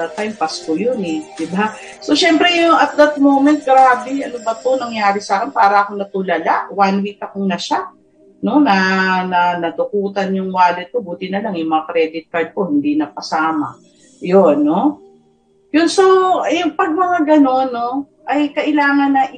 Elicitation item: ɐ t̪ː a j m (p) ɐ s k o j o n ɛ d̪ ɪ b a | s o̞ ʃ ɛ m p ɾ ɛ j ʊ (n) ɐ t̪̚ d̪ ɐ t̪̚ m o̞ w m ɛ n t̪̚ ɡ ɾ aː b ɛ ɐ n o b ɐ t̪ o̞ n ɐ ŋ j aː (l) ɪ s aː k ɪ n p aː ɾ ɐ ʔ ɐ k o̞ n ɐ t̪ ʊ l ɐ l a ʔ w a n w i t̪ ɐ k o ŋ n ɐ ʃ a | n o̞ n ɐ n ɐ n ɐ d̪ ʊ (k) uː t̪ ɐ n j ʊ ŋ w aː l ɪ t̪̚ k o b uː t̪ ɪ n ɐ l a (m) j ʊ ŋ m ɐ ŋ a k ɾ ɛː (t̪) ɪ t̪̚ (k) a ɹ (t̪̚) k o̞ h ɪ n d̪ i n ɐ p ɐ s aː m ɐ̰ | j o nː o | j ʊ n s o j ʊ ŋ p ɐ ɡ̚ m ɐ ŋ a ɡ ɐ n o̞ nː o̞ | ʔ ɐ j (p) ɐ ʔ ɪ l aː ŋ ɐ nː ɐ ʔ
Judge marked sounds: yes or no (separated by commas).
yes, no, no, yes, no, no, yes, no, no